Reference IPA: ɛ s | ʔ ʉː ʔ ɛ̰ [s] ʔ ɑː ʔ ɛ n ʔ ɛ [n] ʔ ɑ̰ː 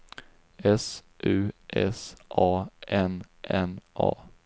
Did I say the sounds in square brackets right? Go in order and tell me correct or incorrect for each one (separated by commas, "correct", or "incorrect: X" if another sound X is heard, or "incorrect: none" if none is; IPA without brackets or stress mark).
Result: correct, correct